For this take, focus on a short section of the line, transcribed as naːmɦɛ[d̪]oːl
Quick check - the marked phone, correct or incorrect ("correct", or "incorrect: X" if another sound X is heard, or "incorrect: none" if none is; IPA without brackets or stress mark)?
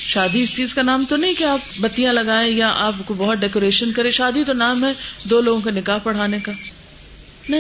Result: correct